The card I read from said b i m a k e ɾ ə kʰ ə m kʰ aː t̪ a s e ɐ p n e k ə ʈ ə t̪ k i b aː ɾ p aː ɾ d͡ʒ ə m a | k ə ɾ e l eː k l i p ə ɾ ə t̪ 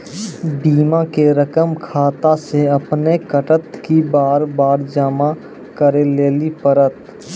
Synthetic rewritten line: b iː m a k e ɾ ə k ə m kʰ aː t̪ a s e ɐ p n e k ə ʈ ə t̪ k i b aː ɾ b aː ɾ d͡ʒ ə m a | k ə ɾ e l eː l i p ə ɾ ə t̪